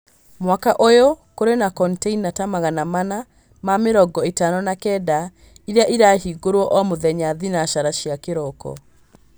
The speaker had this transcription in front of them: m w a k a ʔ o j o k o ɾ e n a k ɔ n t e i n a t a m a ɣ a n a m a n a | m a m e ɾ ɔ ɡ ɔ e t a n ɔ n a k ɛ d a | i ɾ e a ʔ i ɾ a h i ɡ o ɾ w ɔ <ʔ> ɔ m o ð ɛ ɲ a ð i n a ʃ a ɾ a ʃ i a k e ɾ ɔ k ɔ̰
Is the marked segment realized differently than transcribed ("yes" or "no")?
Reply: no